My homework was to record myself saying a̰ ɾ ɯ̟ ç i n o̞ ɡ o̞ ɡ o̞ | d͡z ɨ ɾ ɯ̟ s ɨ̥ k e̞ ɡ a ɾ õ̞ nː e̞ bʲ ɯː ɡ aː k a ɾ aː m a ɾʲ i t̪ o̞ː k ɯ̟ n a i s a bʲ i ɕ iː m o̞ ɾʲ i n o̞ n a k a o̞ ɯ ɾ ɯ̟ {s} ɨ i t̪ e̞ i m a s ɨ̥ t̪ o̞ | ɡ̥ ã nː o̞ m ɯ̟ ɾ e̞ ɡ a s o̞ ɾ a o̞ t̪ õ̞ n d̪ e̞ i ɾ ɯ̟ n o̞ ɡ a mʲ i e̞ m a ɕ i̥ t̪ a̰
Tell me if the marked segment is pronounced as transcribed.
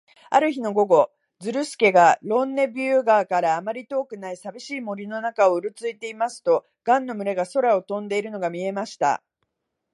no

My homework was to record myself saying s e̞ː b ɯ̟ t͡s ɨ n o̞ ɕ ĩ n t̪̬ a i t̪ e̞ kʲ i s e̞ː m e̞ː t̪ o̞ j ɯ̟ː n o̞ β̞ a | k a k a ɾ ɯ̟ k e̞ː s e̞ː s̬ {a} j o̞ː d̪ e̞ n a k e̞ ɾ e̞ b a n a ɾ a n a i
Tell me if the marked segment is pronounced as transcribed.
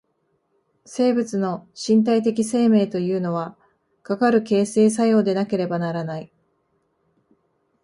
yes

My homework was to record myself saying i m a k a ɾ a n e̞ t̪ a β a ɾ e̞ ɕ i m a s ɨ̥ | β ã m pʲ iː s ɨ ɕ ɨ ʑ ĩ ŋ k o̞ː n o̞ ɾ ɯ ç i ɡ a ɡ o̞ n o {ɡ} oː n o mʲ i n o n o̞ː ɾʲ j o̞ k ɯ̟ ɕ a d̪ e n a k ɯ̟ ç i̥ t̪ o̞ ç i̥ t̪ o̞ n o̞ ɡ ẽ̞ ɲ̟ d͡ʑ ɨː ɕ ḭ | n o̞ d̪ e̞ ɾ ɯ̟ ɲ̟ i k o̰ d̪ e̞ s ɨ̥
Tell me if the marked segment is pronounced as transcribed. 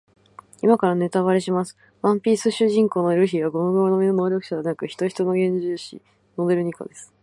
yes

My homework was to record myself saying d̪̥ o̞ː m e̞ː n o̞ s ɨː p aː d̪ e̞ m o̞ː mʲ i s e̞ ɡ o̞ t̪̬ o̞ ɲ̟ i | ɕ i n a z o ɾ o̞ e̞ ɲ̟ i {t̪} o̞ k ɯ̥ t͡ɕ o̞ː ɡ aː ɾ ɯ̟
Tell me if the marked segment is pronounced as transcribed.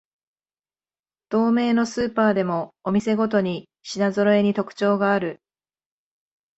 yes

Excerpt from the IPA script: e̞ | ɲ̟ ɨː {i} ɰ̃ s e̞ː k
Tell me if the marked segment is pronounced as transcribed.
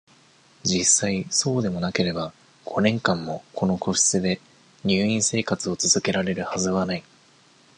no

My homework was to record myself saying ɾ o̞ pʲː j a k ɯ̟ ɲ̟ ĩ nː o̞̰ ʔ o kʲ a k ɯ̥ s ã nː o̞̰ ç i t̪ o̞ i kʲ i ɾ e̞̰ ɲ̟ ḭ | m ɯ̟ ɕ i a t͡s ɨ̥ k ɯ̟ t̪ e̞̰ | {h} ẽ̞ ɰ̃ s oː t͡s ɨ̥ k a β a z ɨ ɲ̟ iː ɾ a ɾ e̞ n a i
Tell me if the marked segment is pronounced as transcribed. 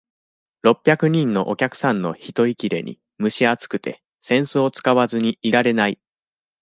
no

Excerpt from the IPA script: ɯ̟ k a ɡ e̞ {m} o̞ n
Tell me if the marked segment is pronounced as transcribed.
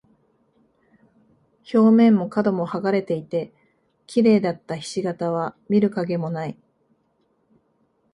yes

